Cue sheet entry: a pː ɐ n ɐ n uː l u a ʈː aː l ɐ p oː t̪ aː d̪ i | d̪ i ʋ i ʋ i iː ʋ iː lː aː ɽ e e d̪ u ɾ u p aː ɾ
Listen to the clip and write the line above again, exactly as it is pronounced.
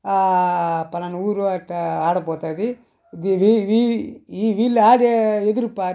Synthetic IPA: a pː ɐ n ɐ n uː ɾ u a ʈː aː ɽ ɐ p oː t̪ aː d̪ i | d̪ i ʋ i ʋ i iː ʋ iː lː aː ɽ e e d̪ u ɾ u p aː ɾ